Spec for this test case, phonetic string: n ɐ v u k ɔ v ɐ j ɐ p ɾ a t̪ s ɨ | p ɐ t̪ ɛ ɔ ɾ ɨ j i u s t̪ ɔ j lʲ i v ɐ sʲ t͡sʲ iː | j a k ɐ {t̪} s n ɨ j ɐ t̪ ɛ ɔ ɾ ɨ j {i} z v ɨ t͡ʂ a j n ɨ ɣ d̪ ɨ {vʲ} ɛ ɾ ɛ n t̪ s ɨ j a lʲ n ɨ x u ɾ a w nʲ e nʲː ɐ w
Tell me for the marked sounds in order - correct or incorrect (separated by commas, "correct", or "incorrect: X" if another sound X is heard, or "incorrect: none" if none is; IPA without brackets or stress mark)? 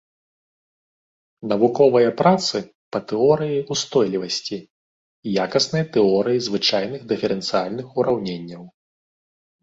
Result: incorrect: none, correct, incorrect: fʲ